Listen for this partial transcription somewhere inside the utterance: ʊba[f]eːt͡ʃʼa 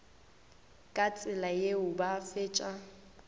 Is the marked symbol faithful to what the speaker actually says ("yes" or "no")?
yes